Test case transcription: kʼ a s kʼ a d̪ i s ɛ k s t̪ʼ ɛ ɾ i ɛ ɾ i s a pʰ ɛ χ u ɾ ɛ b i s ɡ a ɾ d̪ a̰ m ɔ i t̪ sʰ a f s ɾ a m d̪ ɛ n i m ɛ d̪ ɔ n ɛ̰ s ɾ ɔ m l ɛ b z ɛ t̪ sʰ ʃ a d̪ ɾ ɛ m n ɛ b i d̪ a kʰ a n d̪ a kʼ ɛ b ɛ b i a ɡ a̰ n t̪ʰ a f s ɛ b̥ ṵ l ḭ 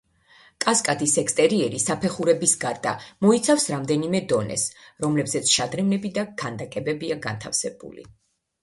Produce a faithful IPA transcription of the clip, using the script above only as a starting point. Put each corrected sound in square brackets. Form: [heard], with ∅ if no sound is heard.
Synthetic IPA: kʼ a s kʼ a d̪ i s ɛ k s t̪ʼ ɛ ɾ i ɛ ɾ i s a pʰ ɛ χ u ɾ ɛ b i s ɡ a ɾ d̪ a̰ m ɔ i t̪ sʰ a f s ɾ a m d̪ ɛ n i m ɛ d̪ ɔ n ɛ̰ s ɾ ɔ m l ɛ b z ɛ t̪ sʰ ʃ a d̪ ɾ ɛ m n ɛ b i d̪ a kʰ a n d̪ a kʼ ɛ b ɛ b i a ɡ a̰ n t̪ʰ a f s ɛ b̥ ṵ l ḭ